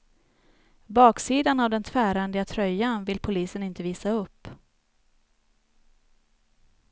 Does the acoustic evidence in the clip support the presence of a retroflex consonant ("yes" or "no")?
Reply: no